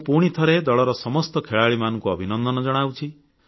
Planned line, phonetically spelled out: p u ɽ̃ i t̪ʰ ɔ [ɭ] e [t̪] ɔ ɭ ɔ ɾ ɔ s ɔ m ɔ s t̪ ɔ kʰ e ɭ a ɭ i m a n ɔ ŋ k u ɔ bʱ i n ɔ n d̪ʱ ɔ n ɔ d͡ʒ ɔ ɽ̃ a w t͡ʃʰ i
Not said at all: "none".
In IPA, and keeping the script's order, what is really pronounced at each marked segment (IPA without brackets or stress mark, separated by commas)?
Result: ɾ, d̪